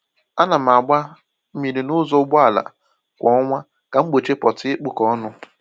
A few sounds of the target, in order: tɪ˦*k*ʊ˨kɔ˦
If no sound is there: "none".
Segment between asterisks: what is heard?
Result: k͡p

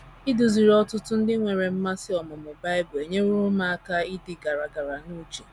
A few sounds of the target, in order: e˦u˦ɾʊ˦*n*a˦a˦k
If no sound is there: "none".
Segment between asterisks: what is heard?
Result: m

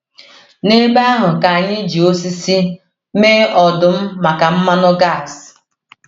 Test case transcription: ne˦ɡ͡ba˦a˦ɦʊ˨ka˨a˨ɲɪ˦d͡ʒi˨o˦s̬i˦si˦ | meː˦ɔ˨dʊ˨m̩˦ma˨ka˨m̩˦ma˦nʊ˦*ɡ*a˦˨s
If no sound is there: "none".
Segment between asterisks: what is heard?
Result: ɡ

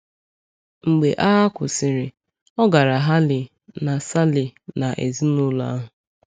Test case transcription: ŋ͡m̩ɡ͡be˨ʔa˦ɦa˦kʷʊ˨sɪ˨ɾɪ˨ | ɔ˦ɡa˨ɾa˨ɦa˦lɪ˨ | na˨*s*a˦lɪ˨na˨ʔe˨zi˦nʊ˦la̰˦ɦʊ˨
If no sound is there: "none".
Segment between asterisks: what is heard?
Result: s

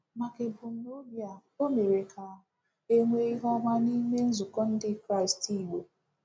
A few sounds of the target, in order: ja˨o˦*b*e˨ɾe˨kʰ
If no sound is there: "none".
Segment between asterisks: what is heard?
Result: m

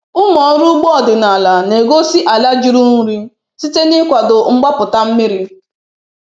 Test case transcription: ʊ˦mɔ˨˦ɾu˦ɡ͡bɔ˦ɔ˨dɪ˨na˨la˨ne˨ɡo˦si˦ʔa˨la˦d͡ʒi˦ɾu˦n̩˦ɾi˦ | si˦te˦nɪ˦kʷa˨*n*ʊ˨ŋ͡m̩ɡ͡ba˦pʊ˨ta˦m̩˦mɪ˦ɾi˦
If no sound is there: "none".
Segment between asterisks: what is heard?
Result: d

